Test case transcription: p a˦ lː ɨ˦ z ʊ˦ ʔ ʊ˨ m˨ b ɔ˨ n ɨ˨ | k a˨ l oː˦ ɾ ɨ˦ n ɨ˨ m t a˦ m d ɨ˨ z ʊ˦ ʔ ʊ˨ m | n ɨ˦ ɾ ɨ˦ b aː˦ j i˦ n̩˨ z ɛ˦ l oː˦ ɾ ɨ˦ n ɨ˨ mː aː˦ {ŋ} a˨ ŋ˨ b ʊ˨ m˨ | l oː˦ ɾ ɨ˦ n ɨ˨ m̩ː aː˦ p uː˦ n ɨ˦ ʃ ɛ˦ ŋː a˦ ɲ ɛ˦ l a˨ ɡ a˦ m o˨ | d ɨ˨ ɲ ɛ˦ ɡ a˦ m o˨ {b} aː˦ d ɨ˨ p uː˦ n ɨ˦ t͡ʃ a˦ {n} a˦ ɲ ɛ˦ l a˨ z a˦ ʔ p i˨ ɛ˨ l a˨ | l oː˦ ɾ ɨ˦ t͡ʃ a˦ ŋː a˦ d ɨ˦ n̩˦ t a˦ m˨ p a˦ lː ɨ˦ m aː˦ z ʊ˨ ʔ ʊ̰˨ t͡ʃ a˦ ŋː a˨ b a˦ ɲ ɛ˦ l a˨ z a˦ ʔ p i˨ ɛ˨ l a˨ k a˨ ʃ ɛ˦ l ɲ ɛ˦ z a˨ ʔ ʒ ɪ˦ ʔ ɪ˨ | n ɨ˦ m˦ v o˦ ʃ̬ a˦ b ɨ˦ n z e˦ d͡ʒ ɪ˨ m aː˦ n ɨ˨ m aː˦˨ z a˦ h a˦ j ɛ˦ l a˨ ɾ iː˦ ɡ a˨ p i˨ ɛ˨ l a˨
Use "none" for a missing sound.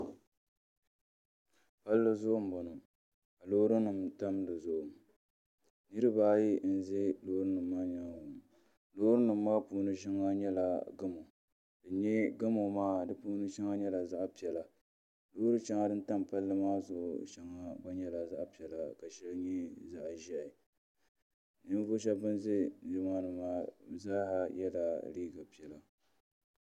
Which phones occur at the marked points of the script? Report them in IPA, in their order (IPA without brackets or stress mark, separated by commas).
ɲ, m, ŋ